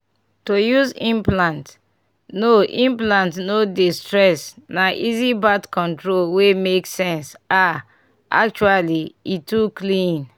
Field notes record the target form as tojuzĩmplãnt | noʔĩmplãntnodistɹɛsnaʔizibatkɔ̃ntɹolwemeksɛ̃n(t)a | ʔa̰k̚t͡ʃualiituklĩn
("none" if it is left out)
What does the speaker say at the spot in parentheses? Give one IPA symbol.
s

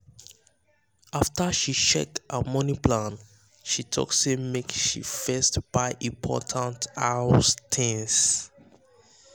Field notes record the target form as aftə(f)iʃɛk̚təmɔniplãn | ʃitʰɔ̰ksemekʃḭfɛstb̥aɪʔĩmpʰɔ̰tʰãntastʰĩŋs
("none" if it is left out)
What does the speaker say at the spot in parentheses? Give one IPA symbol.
ʃ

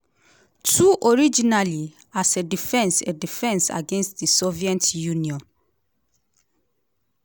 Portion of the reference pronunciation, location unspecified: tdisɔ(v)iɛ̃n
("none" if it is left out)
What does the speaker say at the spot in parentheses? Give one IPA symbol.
v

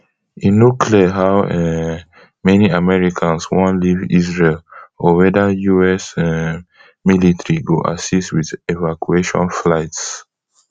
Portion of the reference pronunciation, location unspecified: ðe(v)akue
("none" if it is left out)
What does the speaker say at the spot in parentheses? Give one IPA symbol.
v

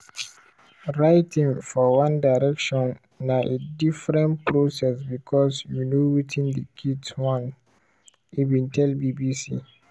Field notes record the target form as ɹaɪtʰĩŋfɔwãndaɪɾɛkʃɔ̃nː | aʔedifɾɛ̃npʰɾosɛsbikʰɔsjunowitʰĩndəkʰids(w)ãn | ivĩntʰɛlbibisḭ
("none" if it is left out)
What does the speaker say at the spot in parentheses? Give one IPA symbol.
w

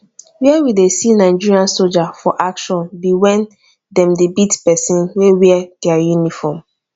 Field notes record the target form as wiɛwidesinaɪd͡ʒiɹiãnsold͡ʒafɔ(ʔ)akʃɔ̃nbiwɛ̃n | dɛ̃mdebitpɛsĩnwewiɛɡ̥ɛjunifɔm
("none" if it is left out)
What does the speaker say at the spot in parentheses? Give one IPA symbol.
ʔ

